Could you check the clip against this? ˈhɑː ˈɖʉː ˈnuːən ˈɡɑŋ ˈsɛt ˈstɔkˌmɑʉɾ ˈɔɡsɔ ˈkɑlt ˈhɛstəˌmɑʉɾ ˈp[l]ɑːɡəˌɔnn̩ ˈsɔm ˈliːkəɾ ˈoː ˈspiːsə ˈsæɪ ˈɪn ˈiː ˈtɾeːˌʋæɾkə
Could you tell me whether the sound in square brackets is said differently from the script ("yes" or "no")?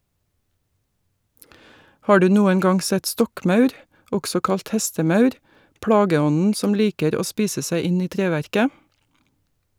yes